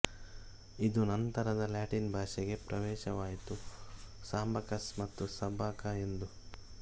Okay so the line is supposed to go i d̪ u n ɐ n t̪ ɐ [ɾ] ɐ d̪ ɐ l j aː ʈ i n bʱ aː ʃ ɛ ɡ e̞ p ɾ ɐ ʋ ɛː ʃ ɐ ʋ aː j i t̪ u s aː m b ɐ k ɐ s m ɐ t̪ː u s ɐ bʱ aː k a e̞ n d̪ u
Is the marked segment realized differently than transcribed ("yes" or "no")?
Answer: no